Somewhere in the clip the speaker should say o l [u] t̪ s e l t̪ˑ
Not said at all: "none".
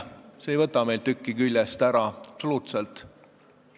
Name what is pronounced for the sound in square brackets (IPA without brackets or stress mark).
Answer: uː